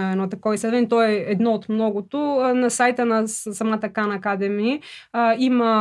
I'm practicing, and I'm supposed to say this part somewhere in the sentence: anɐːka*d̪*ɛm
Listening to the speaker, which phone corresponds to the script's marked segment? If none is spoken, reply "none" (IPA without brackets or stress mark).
d̪